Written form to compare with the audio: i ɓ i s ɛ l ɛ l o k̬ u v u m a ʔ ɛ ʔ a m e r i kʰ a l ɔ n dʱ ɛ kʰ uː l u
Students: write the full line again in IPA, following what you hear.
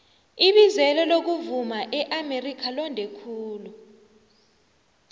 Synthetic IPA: i ɓ i z ɛ l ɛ l o k̬ u v u m a ʔ ɛ ʔ a m e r i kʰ a l ɔ n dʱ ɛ kʰ uː l u